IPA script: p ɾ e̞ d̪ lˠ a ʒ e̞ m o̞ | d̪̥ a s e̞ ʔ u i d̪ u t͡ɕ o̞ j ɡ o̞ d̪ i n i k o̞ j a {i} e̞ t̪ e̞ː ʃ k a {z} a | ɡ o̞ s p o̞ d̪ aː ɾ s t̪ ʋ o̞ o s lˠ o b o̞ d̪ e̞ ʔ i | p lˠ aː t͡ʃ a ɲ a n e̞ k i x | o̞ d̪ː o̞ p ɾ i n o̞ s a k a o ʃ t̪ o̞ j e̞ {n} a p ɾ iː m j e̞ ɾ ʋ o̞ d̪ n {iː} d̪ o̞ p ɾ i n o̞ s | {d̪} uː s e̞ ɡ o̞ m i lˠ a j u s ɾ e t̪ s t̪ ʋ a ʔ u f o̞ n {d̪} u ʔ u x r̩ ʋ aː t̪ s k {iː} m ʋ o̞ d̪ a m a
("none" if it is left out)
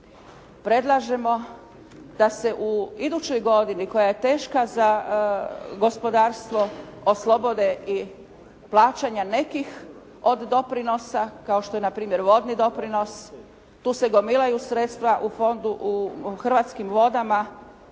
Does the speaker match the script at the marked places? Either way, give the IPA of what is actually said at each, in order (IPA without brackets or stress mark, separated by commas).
j, z, n, i, t̪, d̪, i